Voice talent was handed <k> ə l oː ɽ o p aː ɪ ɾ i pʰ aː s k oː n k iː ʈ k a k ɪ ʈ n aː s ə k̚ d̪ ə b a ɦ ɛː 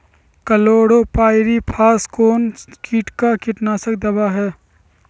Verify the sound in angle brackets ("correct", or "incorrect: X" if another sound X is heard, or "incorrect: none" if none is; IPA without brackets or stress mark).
correct